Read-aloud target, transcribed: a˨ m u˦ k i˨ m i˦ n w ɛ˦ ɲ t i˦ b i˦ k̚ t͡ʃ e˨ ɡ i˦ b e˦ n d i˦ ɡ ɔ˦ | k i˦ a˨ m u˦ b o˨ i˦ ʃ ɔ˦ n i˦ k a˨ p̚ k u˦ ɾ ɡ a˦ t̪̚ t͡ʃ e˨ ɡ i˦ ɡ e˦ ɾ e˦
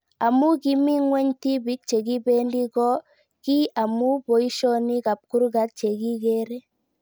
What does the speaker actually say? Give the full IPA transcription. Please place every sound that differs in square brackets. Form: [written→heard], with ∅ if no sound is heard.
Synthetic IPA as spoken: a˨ m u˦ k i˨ m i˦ [n→ŋ] w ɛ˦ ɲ t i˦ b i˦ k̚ t͡ʃ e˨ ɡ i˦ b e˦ n d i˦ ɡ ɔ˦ | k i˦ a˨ m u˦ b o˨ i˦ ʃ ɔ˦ n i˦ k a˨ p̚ k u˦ ɾ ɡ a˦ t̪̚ t͡ʃ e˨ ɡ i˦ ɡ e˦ ɾ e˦